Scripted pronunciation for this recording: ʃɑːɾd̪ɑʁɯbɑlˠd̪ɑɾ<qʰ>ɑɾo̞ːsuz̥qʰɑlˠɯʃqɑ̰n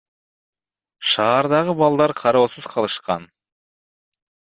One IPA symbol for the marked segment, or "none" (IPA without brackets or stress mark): qʰ